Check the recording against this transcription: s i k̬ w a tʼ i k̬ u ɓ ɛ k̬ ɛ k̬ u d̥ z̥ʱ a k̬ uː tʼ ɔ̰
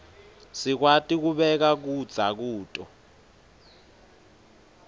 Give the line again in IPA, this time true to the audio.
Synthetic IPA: s i k̬ w a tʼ i k̬ u ɓ ɛ k̬ a k̬ u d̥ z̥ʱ a k̬ uː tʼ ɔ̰